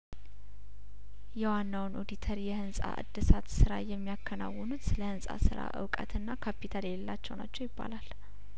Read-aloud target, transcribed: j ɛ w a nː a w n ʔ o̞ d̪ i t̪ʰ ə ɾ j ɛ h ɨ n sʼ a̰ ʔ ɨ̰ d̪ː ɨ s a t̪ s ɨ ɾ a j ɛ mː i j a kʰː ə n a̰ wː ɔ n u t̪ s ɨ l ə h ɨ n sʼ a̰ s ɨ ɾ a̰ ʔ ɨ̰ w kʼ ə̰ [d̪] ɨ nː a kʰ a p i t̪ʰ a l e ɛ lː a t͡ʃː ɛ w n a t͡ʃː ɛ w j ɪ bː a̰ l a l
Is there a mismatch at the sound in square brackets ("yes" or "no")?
yes